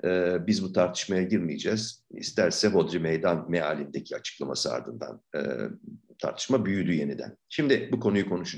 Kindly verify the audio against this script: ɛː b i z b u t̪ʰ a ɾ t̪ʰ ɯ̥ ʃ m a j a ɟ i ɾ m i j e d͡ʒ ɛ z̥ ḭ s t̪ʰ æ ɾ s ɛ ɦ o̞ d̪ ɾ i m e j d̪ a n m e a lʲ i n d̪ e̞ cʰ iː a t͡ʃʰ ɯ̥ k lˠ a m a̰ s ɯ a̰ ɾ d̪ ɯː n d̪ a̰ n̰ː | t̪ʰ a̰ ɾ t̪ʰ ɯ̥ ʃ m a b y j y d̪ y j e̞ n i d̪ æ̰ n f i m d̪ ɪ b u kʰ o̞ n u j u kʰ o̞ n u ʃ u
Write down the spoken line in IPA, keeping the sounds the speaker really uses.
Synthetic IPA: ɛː b i z b u t̪ʰ a ɾ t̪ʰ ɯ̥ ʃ m a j a ɟ i ɾ m i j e d͡ʒ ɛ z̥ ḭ s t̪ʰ æ ɾ s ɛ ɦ o̞ d̪ ɾ i m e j d̪ a n m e a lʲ i n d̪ e̞ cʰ i a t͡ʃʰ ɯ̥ k lˠ a m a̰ s ɯ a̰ ɾ d̪ ɯ n d̪ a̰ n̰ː | t̪ʰ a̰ ɾ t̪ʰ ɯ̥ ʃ m a b y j y d̪ y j e̞ n i d̪ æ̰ n ʃ i m d̪ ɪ b u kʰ o̞ n u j u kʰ o̞ n u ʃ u